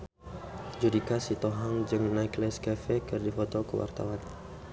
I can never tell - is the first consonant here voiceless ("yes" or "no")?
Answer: no